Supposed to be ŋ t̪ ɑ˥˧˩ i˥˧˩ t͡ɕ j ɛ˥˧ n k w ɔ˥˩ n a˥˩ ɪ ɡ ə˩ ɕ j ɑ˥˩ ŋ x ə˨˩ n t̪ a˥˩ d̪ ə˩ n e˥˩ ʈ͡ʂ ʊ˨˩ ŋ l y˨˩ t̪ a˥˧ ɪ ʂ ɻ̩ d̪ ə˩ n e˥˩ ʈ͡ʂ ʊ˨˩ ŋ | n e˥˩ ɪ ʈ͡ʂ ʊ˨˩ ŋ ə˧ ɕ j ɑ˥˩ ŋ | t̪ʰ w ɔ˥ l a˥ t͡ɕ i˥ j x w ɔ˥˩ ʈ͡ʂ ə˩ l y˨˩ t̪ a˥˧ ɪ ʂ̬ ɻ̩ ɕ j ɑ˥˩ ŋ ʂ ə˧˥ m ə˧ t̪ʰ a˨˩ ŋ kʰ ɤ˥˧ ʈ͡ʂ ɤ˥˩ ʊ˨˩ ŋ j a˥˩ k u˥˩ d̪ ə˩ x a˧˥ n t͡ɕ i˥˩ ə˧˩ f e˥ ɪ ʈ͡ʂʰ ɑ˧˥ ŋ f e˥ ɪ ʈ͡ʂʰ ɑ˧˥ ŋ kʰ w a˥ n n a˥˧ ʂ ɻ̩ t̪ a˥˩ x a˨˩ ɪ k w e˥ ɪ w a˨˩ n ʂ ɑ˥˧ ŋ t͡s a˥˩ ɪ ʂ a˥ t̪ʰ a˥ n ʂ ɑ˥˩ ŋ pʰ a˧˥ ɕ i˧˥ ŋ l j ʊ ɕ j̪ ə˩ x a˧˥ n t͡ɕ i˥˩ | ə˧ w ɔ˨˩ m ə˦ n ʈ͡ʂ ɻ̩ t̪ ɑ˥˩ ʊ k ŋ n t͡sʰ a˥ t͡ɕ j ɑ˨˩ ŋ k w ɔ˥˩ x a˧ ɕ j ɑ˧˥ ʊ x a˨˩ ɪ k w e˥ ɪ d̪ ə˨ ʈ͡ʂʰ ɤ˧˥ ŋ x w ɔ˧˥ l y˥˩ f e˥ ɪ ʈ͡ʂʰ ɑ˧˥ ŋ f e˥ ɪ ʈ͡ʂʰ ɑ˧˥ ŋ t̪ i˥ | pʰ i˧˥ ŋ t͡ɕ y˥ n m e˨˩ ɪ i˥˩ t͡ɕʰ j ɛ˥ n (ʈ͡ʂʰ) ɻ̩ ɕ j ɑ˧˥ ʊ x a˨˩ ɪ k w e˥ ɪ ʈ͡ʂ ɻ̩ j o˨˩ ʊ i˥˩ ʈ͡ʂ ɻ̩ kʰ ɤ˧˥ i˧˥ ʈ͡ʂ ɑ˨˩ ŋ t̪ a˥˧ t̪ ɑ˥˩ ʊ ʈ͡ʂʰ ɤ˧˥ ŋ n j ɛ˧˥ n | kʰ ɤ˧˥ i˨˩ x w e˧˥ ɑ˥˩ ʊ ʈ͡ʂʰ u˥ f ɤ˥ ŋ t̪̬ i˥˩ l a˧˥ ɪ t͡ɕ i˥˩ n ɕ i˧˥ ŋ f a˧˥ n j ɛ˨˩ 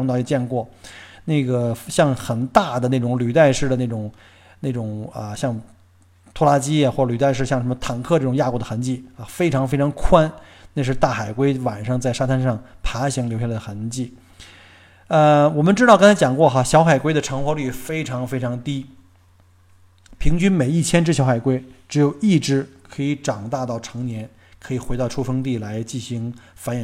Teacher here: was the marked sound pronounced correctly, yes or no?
no